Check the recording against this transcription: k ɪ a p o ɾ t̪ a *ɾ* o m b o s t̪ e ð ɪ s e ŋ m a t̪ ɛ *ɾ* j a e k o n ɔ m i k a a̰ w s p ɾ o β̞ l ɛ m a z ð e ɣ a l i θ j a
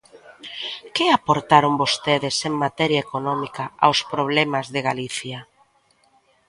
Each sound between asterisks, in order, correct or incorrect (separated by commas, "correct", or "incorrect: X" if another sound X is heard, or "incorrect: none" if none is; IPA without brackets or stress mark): correct, correct